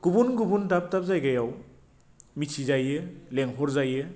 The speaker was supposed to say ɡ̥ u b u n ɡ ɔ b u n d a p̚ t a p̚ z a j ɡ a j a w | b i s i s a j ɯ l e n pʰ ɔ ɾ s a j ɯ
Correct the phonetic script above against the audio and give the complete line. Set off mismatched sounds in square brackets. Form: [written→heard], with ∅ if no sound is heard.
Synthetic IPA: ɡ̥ u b u n ɡ [ɔ→u] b u n d a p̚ t a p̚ z a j ɡ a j a w | [b→m] i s i [s→z] a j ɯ l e [n→ŋ] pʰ ɔ ɾ [s→z] a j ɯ